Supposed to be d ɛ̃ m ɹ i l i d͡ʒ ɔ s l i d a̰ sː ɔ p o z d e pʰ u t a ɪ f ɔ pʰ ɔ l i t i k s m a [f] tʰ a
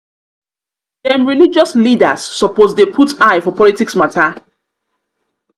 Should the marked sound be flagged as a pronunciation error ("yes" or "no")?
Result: yes